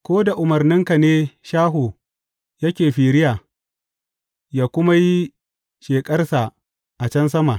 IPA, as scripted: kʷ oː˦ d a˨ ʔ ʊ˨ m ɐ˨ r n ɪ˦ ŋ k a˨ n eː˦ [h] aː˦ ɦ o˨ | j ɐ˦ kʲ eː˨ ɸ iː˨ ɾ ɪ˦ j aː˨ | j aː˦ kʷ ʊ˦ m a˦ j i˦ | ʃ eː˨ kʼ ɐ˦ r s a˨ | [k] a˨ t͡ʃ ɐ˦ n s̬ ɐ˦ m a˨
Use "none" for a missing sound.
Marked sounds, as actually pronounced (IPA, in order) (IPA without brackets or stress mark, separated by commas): ʃ, ʔ